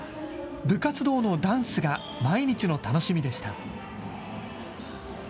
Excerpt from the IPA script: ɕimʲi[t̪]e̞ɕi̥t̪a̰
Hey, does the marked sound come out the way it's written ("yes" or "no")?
no